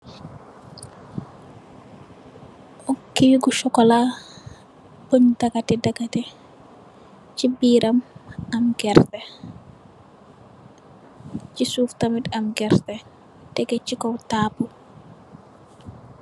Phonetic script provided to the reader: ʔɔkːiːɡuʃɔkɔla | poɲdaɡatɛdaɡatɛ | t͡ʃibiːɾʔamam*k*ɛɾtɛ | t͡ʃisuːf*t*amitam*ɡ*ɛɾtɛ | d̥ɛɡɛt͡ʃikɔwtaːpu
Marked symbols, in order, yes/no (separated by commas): no, yes, yes